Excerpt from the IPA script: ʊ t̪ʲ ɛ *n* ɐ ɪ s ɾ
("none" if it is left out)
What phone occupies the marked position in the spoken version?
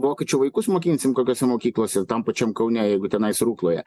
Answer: n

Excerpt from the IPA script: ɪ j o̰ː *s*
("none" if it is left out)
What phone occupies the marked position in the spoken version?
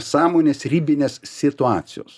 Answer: s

